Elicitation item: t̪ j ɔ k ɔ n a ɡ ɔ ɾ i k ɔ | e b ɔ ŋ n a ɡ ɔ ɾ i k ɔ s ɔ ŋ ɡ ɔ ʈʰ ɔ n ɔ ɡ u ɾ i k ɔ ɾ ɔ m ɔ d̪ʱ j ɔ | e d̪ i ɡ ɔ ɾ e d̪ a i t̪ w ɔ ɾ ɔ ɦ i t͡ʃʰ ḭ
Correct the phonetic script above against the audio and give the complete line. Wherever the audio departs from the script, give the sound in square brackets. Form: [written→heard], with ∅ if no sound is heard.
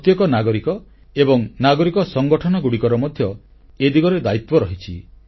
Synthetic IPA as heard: t̪ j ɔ k ɔ n a ɡ ɔ ɾ i k ɔ | e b ɔ ŋ n a ɡ ɔ ɾ i k ɔ s ɔ ŋ ɡ ɔ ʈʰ ɔ n ɔ ɡ u [ɾ→ɽ] i k ɔ ɾ ɔ m ɔ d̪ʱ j ɔ | e d̪ i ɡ ɔ ɾ e d̪ a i t̪ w ɔ ɾ ɔ ɦ i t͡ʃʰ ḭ